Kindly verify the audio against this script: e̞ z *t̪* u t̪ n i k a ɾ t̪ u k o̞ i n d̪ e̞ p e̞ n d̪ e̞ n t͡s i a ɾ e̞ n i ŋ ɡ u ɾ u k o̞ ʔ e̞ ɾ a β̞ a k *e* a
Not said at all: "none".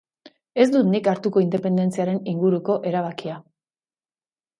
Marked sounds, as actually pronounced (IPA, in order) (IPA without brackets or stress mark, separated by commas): d̪, i